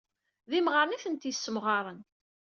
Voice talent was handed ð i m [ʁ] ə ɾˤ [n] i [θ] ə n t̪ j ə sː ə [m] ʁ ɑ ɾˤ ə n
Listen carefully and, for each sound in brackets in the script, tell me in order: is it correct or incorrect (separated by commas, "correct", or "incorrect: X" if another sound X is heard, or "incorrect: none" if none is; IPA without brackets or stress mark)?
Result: correct, correct, correct, correct